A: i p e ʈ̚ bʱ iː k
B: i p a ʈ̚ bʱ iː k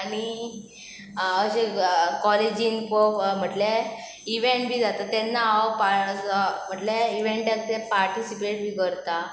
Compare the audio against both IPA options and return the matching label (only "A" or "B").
A